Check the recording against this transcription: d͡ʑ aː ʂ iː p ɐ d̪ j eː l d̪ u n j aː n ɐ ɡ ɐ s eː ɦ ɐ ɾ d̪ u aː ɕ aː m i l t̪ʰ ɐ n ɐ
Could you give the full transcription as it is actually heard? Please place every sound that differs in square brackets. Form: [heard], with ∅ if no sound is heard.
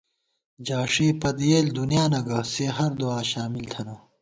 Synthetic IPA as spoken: d͡ʑ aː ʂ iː p ɐ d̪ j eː l d̪ u n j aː n ɐ ɡ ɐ s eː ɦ ɐ ɾ d̪ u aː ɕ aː m i l t̪ʰ ɐ n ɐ